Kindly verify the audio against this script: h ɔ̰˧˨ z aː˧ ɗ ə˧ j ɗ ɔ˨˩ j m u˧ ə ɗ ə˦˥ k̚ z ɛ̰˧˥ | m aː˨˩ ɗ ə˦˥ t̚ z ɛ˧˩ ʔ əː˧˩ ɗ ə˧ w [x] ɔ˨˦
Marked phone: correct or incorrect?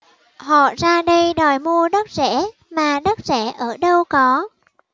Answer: incorrect